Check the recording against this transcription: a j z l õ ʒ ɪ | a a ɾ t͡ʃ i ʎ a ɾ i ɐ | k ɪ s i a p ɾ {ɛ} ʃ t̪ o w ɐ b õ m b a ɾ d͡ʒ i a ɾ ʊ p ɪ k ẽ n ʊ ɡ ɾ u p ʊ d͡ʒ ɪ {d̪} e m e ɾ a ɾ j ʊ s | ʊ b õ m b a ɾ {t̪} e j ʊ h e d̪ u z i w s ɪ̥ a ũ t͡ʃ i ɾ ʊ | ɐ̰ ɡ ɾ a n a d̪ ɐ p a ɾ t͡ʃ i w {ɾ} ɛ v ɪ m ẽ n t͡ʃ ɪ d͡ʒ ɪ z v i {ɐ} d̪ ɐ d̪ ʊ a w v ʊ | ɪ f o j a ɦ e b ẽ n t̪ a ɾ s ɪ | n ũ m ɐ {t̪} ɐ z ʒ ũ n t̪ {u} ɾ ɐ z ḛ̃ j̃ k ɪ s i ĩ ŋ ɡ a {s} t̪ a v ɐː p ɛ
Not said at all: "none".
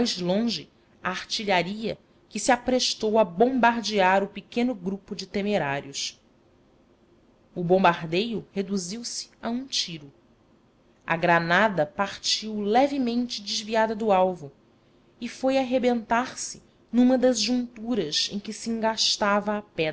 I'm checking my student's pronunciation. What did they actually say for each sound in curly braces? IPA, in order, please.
e, t̪, d̪, l, a, d̪, u, ʃ

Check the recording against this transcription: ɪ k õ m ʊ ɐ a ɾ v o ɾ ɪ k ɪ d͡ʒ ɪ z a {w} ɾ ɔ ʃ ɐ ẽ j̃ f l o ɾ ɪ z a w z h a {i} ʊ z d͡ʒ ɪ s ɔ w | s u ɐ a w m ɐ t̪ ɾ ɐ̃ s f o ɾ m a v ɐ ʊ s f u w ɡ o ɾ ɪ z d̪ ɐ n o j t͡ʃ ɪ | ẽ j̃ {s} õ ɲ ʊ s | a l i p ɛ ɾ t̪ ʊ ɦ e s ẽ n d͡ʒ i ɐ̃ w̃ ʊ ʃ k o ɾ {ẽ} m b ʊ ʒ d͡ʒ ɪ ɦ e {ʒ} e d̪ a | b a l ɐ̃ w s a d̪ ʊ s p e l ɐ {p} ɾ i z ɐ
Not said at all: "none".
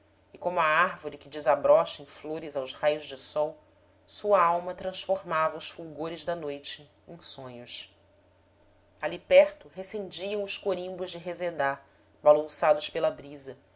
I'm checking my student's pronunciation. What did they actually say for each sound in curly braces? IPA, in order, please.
b, j, s, ĩ, z, b

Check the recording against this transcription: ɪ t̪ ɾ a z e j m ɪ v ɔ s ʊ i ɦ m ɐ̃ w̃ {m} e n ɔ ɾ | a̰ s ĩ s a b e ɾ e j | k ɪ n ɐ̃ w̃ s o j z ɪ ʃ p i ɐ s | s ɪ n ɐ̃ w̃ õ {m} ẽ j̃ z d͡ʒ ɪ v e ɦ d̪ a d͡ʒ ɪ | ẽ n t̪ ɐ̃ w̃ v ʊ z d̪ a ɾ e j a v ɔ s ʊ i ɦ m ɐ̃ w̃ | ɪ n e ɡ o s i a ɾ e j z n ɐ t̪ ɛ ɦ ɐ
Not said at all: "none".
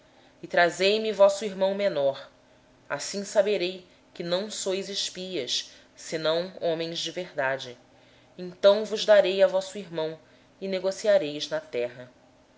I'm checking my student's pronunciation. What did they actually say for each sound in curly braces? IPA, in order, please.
m, m

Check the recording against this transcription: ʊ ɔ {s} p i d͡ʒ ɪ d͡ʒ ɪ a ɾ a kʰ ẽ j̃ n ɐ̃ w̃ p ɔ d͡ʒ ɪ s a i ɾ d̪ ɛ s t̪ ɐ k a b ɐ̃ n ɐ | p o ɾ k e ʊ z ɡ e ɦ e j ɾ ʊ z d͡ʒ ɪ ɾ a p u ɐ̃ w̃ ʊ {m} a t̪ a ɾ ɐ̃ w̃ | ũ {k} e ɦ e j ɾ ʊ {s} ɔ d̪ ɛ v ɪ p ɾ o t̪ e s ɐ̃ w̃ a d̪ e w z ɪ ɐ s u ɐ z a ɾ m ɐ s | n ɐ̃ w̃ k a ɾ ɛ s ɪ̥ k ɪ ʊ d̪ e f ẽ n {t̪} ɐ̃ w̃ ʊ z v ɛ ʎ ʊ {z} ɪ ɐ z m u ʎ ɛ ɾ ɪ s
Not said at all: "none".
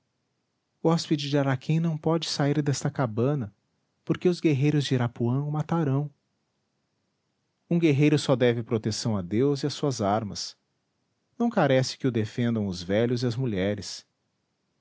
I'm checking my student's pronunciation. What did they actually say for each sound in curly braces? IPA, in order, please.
s, m, ɡ, s, d̪, z

